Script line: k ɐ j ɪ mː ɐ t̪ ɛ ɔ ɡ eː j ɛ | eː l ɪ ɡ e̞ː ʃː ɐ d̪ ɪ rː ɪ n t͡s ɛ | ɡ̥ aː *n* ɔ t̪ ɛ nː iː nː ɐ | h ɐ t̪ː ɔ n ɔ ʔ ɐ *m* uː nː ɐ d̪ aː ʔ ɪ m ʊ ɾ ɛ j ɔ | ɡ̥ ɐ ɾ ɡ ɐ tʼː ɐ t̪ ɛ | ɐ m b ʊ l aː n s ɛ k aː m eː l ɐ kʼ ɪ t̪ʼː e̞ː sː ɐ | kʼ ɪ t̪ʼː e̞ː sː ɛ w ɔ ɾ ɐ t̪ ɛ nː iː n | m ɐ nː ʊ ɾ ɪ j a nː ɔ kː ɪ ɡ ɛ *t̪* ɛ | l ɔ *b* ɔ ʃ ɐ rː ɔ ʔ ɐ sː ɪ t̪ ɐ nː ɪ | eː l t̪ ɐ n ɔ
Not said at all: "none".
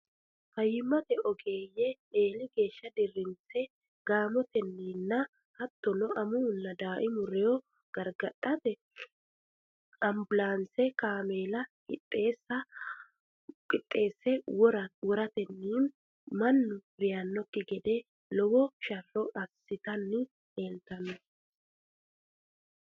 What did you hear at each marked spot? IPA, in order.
m, m, d̪, w

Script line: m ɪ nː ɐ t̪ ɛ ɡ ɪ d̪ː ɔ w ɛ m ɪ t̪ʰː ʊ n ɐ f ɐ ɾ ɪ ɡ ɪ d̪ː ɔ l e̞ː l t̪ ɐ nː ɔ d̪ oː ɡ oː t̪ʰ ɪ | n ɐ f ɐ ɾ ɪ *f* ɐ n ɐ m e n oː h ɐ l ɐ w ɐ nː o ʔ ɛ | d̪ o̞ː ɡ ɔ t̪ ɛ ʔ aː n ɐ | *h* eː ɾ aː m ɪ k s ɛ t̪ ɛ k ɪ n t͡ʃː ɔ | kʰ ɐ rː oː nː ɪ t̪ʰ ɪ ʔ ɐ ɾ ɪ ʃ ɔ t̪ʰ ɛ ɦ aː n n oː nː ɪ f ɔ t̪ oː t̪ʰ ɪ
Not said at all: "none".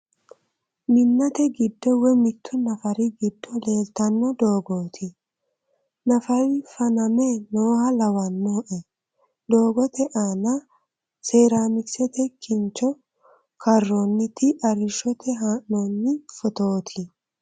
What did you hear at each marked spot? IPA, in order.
f, s

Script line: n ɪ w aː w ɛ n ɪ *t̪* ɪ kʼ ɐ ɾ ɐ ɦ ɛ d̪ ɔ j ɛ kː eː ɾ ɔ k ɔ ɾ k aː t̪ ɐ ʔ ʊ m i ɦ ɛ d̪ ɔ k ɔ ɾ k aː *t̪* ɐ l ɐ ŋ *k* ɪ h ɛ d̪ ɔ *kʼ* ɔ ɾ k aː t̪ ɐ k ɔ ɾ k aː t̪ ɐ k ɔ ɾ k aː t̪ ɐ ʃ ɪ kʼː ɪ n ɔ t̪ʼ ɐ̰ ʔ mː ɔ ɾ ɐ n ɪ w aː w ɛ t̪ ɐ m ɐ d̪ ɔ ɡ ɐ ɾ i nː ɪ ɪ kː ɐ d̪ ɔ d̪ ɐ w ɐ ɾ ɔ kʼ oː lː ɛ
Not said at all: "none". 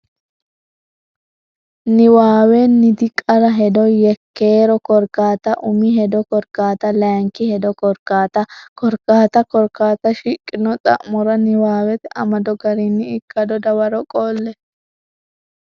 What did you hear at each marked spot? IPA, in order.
d̪, t̪, k, k

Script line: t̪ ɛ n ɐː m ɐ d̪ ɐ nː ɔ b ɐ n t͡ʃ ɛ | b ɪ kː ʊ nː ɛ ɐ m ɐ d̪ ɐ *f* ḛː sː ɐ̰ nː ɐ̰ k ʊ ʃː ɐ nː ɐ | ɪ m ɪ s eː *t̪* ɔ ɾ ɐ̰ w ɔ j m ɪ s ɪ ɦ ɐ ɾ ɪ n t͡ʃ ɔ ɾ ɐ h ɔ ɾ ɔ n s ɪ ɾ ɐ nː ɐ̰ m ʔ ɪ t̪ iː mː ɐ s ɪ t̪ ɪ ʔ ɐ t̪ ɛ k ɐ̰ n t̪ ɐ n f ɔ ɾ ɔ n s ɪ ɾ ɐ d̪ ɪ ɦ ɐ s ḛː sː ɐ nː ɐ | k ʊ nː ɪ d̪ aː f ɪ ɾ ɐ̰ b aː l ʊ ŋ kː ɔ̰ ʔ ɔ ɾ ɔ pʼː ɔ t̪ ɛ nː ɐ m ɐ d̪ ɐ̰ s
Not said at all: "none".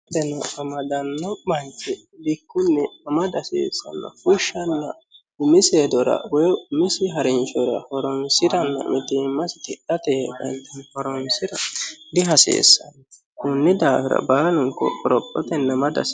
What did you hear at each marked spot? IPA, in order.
s, d̪

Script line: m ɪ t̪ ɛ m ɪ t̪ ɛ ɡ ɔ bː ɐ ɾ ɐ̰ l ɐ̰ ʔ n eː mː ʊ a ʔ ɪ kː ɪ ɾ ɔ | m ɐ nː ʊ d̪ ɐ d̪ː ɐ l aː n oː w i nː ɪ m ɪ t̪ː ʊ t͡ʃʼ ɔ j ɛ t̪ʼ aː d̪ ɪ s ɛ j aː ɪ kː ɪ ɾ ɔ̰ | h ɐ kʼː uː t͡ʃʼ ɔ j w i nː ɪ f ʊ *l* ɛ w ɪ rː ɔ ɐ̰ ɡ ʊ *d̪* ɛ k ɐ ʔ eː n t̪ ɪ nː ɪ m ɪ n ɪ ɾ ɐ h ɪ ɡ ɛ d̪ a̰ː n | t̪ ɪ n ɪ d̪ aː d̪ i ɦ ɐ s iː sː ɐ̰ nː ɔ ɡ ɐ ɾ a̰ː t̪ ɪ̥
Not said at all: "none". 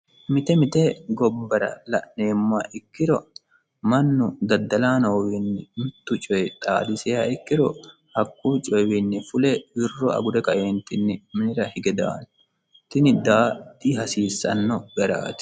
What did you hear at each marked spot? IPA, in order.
l, d̪

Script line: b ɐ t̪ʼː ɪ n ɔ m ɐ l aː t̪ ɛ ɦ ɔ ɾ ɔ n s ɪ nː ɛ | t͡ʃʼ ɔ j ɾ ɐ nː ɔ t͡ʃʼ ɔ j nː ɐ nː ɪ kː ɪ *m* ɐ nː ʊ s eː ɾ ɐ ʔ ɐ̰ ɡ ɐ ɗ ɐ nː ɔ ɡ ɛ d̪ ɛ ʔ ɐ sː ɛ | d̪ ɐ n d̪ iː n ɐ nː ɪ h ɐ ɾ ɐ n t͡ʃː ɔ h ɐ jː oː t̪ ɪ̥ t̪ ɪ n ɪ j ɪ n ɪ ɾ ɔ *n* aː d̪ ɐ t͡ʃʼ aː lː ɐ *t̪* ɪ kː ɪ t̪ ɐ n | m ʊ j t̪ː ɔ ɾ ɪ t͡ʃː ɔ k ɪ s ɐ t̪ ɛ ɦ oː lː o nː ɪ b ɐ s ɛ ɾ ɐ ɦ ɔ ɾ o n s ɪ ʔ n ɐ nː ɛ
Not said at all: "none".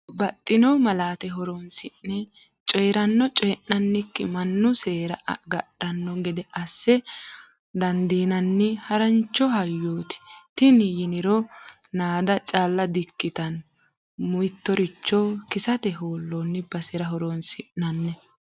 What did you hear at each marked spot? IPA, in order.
m, n, d̪

